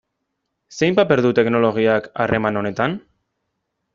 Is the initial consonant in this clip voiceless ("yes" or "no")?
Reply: yes